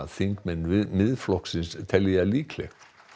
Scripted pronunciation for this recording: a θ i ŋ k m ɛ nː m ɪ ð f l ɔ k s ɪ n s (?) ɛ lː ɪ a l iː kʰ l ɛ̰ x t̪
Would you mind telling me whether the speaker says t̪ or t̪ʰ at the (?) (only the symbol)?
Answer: t̪ʰ